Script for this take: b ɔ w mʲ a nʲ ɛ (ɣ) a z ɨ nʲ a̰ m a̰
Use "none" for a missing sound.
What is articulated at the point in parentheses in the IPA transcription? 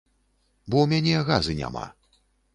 ɣ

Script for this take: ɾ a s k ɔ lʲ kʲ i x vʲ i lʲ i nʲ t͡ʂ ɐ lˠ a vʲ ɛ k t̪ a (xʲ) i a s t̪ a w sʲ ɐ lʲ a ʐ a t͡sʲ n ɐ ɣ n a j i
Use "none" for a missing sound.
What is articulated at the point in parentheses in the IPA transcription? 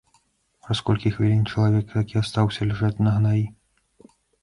kʲ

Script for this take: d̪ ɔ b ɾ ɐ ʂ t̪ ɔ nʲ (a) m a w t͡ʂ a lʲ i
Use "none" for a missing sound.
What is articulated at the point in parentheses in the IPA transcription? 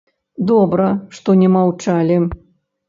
ɛ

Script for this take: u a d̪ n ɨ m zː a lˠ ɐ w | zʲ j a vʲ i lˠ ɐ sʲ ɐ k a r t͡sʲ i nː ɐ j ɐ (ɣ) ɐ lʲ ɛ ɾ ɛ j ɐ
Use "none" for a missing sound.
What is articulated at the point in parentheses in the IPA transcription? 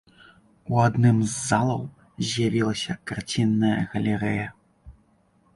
ɣ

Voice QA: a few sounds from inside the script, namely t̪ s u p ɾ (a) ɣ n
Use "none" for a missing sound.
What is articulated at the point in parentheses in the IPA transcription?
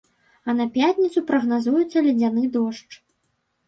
ɐ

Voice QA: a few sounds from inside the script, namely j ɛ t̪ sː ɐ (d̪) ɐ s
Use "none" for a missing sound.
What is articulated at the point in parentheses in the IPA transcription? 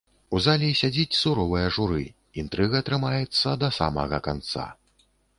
d̪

